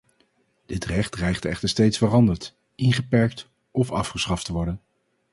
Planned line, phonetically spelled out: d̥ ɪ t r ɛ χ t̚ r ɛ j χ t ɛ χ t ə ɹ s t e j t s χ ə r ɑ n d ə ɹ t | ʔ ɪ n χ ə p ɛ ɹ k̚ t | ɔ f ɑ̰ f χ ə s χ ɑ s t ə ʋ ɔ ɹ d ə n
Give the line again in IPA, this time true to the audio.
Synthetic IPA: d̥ ɪ t r ɛ χ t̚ r ɛ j χ t ɛ χ t ə ɹ s t e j t s f ə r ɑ n d ə ɹ t | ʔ ɪ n χ ə p ɛ ɹ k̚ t | ɔ f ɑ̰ f χ ə s χ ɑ f t ə ʋ ɔ ɹ d ə n